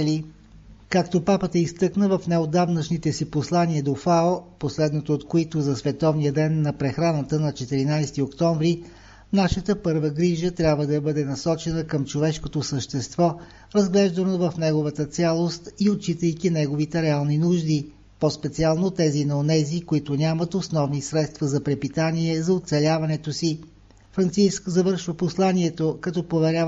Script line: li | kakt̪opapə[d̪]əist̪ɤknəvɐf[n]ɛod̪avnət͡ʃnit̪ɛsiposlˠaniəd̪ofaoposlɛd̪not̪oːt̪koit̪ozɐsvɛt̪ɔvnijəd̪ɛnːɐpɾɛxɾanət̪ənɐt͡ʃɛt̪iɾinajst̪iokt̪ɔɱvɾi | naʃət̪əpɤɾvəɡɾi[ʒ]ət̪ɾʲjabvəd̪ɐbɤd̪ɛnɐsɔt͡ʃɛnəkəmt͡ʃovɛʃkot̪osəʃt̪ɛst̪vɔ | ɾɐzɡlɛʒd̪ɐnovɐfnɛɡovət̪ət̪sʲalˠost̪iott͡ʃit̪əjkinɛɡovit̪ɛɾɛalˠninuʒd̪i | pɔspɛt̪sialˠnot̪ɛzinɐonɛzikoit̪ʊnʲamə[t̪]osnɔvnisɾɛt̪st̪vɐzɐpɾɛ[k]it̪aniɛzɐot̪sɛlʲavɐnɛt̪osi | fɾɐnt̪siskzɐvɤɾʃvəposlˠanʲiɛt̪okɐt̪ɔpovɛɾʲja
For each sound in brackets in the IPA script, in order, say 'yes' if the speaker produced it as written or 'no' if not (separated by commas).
no, yes, yes, yes, no